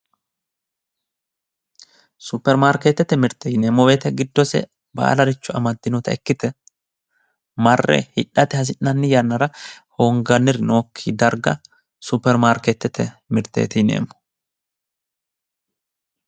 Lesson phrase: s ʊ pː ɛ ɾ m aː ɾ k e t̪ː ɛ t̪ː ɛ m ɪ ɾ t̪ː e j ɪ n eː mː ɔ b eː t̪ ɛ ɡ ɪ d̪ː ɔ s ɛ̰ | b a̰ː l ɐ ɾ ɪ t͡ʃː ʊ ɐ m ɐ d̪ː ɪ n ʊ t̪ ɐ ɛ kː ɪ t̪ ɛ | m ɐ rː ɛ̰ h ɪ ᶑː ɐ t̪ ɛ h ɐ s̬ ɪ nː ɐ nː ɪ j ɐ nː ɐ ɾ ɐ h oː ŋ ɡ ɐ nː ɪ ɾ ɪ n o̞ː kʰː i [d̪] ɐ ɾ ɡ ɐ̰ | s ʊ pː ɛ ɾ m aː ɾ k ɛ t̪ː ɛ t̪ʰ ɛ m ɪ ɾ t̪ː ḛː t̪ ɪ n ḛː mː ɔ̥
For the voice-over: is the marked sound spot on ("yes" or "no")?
yes